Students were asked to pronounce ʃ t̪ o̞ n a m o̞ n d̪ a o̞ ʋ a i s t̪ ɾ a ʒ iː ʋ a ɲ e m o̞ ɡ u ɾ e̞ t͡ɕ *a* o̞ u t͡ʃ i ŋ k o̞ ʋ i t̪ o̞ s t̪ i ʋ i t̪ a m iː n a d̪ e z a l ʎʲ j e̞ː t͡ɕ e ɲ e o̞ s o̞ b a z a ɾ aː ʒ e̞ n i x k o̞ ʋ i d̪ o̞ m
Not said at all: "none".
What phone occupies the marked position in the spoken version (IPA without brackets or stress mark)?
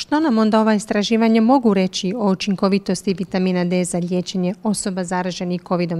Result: i